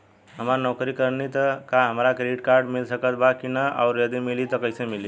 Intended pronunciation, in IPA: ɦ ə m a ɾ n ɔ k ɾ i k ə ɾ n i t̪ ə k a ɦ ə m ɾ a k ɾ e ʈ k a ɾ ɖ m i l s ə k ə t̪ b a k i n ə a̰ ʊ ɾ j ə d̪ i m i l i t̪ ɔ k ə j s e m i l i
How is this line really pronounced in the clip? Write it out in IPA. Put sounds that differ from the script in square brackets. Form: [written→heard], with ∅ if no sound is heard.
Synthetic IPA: ɦ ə m a ɾ n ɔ k ɾ i k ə ɾ n i t̪ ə k a ɦ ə m ɾ a k ɾ e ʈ k a ɾ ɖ m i l s ə k ə t̪ b a k i n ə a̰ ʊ ɾ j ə d̪ i m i l i t̪ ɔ k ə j s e m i l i